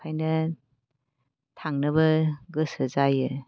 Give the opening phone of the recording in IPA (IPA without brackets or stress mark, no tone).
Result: a